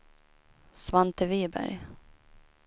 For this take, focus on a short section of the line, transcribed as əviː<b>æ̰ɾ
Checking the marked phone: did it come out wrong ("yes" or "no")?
no